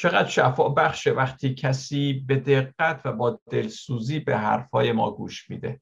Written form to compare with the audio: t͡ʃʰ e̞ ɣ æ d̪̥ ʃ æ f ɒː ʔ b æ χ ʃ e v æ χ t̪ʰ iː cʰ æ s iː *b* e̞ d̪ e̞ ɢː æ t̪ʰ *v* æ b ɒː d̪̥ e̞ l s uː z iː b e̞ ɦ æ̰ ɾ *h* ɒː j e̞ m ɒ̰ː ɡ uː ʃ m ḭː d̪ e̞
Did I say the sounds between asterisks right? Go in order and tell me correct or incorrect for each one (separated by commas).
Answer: correct, correct, incorrect